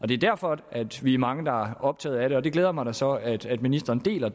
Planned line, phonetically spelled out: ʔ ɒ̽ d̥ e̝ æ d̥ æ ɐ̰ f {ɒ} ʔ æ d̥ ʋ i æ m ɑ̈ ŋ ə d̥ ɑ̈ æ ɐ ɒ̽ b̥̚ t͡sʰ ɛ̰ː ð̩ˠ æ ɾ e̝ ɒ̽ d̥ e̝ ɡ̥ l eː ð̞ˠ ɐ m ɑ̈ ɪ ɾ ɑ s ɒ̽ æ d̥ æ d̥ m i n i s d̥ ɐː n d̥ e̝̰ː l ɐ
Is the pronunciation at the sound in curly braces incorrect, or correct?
correct